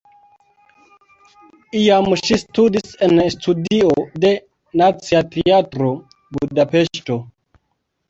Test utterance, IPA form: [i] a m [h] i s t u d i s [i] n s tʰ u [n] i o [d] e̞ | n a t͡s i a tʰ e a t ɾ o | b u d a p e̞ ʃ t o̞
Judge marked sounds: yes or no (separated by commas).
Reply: yes, no, no, no, yes